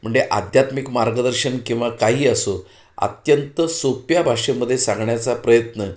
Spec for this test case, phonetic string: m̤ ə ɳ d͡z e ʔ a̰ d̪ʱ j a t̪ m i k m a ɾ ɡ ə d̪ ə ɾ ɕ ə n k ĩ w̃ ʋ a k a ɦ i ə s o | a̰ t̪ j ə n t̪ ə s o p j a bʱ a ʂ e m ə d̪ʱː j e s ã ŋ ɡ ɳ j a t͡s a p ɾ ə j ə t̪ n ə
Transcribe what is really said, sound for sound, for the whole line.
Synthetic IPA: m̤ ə ɳ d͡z e ʔ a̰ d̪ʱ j a t̪ m i k m a ɾ ɡ ə d̪ ə ɾ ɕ ə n k ĩ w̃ ʋ a k a ɦ iː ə s o | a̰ t̪ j ə n t̪ ə s o p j a bʱ a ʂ e m ə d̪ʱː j e s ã ŋ ɡ ɳ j a t͡s a p ɾ ə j ə t̪ n ə